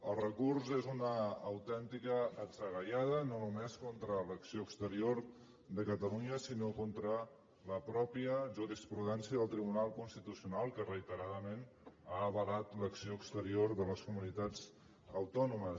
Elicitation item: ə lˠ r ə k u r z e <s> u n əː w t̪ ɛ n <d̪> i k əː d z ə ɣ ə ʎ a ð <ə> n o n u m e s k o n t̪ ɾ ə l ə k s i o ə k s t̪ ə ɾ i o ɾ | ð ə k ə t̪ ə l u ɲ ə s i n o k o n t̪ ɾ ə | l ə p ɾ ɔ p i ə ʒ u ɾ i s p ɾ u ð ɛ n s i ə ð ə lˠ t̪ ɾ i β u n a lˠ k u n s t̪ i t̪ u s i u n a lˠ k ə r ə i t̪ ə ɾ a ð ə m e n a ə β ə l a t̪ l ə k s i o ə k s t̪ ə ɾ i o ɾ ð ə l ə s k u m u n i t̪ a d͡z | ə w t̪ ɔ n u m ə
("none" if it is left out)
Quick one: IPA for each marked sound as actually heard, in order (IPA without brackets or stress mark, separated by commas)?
z, t̪, ə